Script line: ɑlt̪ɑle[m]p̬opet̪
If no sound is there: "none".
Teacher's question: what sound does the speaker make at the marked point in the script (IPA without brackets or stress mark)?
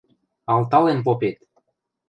n